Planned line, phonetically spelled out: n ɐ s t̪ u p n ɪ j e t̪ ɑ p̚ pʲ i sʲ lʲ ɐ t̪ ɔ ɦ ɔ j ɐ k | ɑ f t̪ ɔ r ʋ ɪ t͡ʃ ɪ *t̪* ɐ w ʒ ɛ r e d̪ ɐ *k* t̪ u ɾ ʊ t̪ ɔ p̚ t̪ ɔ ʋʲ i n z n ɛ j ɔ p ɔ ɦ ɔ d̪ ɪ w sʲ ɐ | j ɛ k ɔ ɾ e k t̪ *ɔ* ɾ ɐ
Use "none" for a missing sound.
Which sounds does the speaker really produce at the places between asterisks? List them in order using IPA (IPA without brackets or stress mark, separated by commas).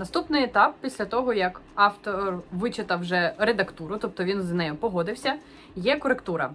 t̪, k, u